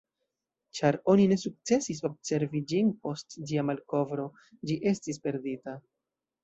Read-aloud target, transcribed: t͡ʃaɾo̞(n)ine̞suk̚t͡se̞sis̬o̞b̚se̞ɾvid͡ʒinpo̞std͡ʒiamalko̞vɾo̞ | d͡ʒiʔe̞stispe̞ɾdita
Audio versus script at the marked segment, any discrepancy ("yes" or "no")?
no